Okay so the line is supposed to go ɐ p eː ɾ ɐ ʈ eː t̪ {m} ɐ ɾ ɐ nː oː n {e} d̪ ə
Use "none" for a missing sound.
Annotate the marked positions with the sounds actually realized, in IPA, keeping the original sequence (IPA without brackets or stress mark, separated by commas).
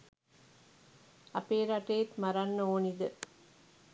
m, i